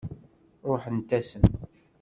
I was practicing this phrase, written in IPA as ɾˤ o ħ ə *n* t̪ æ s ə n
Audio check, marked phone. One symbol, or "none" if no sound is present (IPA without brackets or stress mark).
n